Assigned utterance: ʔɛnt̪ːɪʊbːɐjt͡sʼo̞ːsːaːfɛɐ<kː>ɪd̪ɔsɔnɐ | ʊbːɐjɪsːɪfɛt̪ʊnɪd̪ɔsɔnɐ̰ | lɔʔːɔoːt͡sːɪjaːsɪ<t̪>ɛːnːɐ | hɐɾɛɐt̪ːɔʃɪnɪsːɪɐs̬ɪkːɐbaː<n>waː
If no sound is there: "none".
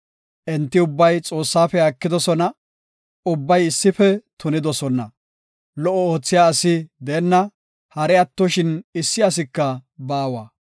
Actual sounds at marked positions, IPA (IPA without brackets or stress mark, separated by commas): kː, d̪, none